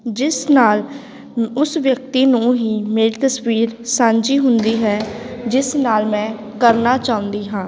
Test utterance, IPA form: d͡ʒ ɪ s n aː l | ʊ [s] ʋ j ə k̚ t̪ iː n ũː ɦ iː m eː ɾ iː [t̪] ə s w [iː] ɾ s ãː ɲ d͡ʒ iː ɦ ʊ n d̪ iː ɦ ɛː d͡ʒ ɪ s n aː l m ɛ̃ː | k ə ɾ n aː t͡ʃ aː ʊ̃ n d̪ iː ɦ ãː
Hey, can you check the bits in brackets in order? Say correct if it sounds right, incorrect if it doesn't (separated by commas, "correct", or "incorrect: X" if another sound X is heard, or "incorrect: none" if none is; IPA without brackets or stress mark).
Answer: correct, correct, correct